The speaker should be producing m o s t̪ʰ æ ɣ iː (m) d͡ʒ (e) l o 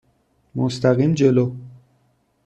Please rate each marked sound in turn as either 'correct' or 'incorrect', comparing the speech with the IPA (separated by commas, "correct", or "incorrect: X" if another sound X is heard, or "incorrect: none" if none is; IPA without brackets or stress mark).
correct, correct